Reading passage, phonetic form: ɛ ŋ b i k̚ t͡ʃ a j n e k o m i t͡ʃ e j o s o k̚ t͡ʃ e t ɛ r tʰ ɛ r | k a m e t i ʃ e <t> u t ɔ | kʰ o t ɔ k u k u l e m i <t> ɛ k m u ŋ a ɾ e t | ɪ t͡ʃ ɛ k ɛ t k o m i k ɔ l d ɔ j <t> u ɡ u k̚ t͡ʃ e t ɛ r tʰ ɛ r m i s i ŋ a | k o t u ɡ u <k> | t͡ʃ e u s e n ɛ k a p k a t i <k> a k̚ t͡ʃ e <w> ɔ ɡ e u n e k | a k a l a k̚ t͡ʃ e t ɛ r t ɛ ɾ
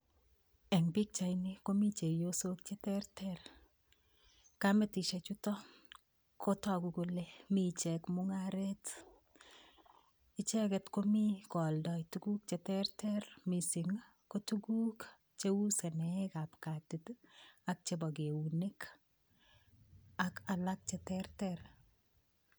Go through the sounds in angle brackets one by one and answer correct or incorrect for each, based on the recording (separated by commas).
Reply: incorrect, incorrect, correct, correct, incorrect, incorrect